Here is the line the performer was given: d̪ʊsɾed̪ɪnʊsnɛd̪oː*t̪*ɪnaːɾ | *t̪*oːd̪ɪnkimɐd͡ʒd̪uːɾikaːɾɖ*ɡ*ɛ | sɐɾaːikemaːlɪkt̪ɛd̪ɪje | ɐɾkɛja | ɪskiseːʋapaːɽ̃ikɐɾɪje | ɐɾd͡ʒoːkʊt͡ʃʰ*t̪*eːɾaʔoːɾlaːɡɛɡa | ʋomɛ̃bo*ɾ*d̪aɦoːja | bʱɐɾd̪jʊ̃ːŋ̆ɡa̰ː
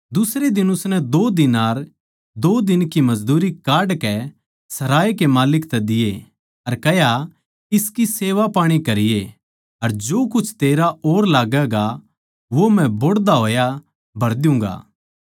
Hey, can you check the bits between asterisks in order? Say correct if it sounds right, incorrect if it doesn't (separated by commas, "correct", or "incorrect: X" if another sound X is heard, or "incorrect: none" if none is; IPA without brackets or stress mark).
incorrect: d̪, incorrect: d̪, incorrect: k, correct, incorrect: ɽ